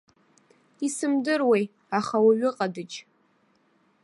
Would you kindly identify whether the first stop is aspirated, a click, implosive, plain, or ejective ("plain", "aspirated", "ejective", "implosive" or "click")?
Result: plain